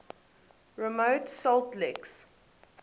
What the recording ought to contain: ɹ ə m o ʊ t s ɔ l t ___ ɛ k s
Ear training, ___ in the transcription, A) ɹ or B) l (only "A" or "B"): B